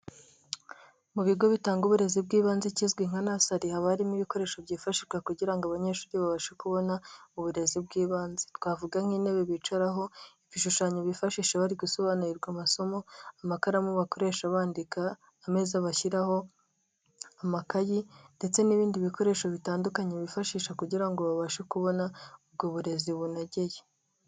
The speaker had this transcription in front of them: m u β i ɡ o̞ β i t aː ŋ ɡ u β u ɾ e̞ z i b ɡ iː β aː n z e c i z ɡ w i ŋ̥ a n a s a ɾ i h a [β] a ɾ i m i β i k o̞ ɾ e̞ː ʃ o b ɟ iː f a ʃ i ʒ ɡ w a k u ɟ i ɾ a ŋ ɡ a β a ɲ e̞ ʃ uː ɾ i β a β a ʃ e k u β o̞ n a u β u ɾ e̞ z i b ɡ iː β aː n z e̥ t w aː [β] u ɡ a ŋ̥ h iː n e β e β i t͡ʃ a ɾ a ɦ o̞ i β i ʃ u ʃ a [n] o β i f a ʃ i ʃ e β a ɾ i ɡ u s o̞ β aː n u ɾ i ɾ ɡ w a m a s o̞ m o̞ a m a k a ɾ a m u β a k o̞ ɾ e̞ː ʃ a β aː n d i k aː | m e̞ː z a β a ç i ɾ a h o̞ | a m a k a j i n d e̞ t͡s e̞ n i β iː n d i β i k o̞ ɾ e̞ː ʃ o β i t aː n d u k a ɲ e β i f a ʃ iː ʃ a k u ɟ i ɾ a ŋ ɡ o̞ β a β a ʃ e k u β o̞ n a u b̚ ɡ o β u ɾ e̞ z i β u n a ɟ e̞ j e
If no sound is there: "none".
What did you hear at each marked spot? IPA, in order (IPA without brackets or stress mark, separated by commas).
β, v, ɲ